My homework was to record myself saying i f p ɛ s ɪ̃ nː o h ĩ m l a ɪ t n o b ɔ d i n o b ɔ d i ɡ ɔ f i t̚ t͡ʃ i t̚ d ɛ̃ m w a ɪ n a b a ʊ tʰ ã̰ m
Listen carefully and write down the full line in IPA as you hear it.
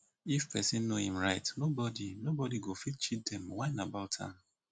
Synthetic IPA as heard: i f p ɛ s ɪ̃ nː o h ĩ m ɹ a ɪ t n o b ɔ d i n o b ɔ d i ɡ o f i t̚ t͡ʃ i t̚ d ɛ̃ m w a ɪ n a b a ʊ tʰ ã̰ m

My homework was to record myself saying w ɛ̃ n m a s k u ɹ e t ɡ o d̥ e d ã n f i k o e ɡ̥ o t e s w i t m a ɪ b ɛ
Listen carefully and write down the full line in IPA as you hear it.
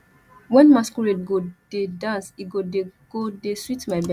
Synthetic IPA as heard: w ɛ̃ n m a s k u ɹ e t ɡ o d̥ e d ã n s i ɡ o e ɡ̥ o d e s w i t m a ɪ b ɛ

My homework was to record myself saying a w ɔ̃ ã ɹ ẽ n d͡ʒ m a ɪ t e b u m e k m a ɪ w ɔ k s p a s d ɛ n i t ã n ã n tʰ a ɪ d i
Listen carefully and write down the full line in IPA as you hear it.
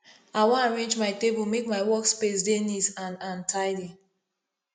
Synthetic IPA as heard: a w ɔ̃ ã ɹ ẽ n d͡ʒ m a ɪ t e b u m e k m a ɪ w ɔ k s p e s d e n i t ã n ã n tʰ a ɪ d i

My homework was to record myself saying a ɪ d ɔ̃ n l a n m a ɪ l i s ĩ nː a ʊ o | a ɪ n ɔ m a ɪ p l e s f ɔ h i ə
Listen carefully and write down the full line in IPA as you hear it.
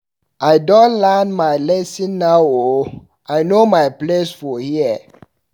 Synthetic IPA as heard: a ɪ d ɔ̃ n l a n m a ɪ l ɛ s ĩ nː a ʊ o | a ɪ n o m a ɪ p l e s f ɔ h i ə

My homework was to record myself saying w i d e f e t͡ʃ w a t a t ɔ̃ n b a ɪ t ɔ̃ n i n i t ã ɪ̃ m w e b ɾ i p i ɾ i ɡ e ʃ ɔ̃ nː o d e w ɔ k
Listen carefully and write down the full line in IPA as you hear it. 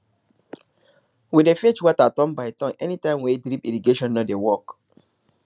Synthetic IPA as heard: w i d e f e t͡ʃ w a t a t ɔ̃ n b a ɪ t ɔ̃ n ɛ n i t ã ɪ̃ m w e d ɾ i p i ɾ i ɡ e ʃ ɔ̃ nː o d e w ɔ k

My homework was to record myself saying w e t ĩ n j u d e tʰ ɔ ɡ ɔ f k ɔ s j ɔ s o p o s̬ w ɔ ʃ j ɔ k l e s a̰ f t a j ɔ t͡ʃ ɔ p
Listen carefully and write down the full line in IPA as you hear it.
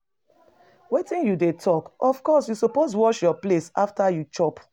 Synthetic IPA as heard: w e t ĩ n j u d e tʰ ɔ k ɔ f k ɔ s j u s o p o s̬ w ɔ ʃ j ɔ p l e s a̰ f t a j u t͡ʃ ɔ p

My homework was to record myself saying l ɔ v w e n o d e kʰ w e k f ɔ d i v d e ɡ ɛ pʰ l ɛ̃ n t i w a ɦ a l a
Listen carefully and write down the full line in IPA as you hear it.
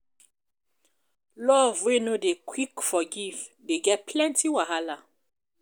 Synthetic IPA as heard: l ɔ v w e n o d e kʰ w i k f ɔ ɡ i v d e ɡ ɛ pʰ l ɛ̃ n t i w a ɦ a l a

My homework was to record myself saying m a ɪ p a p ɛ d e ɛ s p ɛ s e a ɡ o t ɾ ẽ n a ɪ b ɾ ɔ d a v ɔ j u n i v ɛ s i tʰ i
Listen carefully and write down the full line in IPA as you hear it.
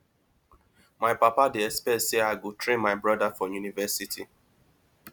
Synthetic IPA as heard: m a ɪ p a p a d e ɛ s p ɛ s e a ɡ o t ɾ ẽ m a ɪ b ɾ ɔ d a f ɔ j u n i v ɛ s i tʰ i

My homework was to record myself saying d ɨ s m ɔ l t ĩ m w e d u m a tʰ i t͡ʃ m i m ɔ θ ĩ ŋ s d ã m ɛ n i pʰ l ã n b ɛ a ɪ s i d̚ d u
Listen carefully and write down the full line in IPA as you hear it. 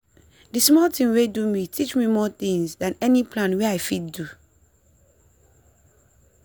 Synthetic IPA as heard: d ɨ s m ɔ l t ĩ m w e d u m i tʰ i t͡ʃ m i m ɔ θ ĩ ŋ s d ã n ɛ n i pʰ l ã n w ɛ a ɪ f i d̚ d u

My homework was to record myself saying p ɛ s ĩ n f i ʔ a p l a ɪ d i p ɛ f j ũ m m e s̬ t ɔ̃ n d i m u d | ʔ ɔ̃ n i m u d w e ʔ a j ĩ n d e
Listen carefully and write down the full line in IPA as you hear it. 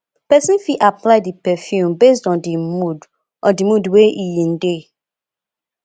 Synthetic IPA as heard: p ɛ s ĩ n f i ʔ a p l a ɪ d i p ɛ f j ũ m b e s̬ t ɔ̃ n d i m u d | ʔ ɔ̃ d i m u d w e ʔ i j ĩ n d e

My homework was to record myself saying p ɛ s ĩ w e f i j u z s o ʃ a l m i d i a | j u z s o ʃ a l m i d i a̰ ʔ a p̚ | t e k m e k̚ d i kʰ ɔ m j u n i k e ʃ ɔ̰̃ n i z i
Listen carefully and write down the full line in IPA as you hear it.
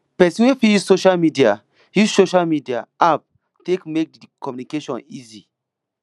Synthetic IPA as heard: p ɛ s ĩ w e f i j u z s o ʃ a l m i d i a | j u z s o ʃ a l m i d i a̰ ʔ a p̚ | t e k m e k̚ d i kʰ ɔ m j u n i k e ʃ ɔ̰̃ n i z i

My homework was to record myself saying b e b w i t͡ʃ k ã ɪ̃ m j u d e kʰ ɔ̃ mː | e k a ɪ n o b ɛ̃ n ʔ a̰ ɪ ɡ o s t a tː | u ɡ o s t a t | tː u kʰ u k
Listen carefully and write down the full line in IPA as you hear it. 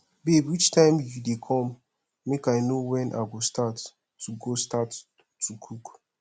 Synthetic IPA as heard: b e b w i t͡ʃ t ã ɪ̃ m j u d e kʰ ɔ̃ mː | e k a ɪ n o w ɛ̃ n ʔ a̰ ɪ ɡ o s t a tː | u ɡ o s t a t | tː u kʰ u k

